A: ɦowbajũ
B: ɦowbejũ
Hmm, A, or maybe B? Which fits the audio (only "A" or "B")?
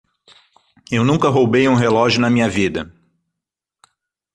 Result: B